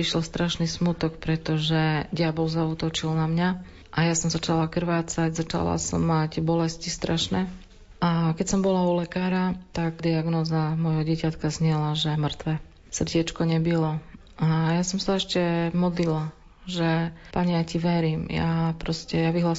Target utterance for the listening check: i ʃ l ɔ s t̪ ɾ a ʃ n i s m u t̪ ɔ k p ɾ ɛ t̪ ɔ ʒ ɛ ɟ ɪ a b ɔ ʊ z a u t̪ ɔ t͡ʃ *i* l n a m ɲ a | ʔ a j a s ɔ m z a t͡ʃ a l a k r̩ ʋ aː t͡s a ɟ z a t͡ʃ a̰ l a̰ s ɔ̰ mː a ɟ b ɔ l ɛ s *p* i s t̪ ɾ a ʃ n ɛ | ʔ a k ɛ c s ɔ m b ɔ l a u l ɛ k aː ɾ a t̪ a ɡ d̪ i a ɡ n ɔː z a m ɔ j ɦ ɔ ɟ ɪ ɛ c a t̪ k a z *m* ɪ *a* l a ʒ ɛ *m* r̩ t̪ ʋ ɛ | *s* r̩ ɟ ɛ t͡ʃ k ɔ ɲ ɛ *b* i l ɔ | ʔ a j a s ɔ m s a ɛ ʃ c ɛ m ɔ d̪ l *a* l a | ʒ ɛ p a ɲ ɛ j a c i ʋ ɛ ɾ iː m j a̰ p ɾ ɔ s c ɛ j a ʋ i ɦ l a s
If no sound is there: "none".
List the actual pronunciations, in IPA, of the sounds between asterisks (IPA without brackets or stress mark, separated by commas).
i, c, ɲ, ɛ, m, s, b, i